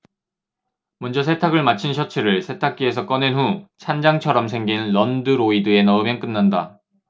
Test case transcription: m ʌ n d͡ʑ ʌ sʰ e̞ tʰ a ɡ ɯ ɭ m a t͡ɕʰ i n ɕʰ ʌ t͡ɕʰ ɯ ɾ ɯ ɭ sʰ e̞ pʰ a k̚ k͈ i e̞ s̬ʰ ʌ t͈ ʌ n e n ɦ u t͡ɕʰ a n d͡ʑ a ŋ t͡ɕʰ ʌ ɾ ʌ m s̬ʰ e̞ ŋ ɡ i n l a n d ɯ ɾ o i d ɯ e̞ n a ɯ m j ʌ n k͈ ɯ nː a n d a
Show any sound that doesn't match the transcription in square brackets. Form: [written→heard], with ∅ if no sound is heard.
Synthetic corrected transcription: m ʌ n d͡ʑ ʌ sʰ e̞ tʰ a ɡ ɯ ɭ m a t͡ɕʰ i n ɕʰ ʌ t͡ɕʰ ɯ ɾ ɯ ɭ sʰ e̞ [pʰ→tʰ] a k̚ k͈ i e̞ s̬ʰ ʌ [t͈→k͈] ʌ n e n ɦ u t͡ɕʰ a n d͡ʑ a ŋ t͡ɕʰ ʌ ɾ ʌ m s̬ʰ e̞ ŋ ɡ i n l [a→ʌ] n d ɯ ɾ o i d ɯ e̞ n [a→ʌ] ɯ m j ʌ n k͈ ɯ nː a n d a